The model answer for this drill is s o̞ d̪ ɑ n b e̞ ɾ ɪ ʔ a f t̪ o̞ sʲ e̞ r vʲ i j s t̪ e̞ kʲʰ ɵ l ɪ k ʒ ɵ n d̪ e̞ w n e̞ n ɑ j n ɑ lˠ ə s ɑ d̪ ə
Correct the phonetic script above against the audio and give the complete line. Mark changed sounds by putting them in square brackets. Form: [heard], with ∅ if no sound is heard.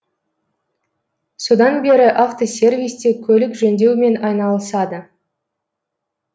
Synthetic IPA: s o̞ d̪ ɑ n b e̞ ɾ ɪ ʔ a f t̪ o̞ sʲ e̞ r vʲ i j s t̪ e̞ kʲʰ ɵ l ɪ k ʒ ɵ n d̪ e̞ w [m] e̞ n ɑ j n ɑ lˠ ə s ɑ d̪ ə